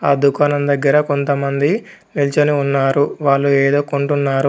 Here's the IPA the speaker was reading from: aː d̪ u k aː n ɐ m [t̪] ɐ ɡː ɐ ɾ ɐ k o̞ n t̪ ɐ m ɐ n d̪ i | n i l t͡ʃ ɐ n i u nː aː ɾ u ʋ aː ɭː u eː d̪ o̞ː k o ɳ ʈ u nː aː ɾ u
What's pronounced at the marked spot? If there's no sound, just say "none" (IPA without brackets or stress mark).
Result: d̪